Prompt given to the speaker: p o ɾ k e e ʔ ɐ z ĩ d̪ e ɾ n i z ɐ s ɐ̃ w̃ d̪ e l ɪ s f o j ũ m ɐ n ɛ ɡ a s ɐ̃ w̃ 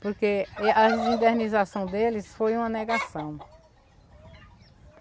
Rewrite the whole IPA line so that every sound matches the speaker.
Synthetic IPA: p o ɾ k e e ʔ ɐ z ĩ d̪ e ɾ n i z a s ɐ̃ w̃ d̪ e l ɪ s f o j ũ m ɐ n ɛ ɡ a s ɐ̃ w̃